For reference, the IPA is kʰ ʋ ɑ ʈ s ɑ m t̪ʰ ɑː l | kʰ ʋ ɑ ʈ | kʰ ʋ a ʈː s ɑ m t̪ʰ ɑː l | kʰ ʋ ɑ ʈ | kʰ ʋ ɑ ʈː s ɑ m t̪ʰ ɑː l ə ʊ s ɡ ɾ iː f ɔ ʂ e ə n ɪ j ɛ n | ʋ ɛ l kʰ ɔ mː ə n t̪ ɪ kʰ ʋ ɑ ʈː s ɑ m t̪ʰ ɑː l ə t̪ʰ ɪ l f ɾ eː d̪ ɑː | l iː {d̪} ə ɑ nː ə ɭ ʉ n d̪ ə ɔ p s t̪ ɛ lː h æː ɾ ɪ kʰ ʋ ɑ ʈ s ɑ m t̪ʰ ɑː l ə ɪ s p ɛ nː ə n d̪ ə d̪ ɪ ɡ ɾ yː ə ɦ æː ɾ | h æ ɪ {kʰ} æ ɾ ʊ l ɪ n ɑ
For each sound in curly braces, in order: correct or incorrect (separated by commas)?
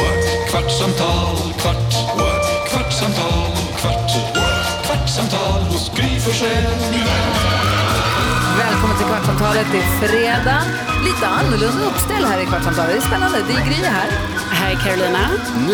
incorrect, correct